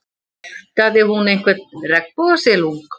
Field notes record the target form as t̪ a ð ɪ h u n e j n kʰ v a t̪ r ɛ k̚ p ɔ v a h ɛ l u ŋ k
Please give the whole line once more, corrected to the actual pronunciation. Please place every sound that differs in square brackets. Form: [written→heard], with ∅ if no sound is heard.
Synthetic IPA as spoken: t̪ a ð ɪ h u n e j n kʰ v [a→ɛ] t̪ r ɛ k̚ p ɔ [v→ð] a [h→s] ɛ l u ŋ k